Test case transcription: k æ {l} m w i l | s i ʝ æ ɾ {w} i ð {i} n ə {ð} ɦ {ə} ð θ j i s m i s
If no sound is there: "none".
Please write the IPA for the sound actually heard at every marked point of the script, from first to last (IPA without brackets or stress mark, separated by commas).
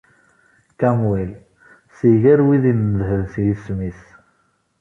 none, w, i, ð, ə